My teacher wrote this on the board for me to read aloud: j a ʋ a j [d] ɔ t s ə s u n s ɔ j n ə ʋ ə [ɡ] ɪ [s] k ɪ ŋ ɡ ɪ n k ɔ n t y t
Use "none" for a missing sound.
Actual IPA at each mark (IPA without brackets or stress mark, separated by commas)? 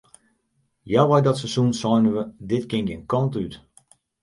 d, d, t